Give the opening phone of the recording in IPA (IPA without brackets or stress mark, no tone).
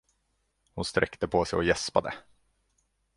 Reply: h